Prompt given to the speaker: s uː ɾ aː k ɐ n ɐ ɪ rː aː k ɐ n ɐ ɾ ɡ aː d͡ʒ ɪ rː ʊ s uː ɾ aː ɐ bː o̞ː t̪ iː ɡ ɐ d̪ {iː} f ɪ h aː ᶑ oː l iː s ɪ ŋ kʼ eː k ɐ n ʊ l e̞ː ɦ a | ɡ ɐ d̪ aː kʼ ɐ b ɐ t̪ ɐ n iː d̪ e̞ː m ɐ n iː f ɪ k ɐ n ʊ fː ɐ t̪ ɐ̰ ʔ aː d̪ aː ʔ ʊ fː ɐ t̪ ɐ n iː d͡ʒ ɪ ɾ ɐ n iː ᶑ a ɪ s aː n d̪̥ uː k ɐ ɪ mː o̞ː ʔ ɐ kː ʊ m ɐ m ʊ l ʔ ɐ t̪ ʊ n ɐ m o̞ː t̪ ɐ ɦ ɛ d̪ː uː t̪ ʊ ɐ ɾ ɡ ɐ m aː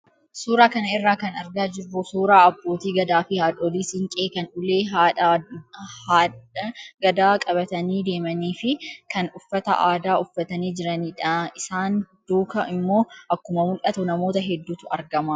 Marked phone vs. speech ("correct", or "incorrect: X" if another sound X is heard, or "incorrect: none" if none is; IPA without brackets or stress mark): incorrect: aː